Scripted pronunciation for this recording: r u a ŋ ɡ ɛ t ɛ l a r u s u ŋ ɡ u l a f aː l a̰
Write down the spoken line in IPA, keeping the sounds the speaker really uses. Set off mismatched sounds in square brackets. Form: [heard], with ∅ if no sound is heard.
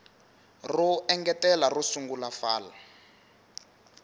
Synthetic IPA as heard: r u [ɛ] ŋ ɡ ɛ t ɛ l a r u s u ŋ ɡ u l a f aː l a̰